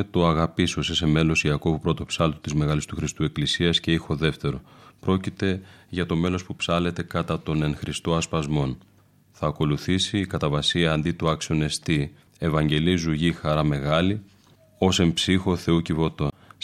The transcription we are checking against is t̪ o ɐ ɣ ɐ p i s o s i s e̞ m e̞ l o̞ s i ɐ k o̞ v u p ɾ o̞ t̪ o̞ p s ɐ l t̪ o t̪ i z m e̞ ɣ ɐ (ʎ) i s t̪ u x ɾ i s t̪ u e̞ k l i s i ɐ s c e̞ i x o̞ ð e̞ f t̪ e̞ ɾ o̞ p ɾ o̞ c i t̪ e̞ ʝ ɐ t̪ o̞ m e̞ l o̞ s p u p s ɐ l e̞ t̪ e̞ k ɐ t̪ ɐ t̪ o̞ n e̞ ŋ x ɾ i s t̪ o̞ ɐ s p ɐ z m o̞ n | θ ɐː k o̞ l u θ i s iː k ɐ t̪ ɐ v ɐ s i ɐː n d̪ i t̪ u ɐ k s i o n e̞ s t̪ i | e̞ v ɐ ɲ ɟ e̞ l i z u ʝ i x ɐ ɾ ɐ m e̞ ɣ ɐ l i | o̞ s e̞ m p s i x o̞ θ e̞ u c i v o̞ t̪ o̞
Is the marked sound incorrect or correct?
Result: incorrect